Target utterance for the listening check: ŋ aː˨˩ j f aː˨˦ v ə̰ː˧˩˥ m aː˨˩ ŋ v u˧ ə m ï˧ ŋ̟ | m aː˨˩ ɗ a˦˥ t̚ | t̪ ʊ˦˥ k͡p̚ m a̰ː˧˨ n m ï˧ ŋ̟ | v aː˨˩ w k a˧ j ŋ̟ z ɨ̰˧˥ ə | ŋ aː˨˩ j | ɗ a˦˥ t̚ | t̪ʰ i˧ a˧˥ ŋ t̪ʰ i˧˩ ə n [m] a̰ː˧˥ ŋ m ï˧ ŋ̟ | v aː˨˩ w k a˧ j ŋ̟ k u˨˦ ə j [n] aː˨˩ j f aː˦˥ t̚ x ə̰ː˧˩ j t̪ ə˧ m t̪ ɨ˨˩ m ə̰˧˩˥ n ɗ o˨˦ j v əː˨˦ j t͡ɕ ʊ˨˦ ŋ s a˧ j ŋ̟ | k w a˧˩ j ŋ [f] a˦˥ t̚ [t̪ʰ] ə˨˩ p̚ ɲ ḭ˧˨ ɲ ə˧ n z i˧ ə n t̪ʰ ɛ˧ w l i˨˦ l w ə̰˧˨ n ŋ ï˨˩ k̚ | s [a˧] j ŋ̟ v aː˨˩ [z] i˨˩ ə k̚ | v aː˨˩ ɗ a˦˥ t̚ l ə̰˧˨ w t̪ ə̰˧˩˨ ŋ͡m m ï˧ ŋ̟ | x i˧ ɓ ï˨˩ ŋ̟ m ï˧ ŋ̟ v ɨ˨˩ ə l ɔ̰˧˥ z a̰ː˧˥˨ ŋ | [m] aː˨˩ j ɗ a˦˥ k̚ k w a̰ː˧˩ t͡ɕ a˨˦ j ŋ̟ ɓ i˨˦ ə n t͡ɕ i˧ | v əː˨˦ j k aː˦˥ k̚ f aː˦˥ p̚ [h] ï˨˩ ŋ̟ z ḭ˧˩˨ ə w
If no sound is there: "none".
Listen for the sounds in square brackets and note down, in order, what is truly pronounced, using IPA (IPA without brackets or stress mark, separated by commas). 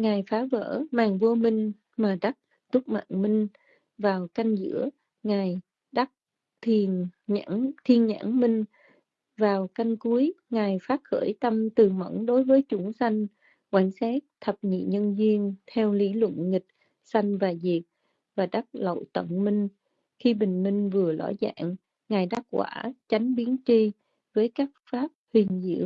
ɲ, ŋ, s, t̪ʰ, a˧, z, ŋ, h